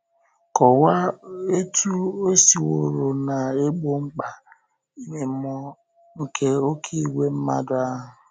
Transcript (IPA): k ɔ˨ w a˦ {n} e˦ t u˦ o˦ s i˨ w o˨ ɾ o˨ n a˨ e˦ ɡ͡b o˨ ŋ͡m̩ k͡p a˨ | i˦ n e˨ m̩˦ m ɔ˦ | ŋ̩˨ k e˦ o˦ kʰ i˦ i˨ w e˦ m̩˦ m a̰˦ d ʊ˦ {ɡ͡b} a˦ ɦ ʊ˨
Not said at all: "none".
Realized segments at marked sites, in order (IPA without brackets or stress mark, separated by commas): none, none